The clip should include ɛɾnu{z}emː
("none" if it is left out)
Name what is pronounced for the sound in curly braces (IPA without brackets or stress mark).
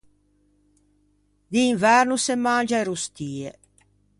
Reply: s